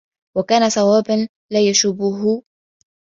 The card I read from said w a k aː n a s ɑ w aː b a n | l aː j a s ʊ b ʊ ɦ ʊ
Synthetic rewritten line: w a k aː n a s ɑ w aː b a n | l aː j a ʃ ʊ b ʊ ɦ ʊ